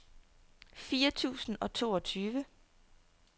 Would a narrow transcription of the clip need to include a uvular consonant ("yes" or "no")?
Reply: no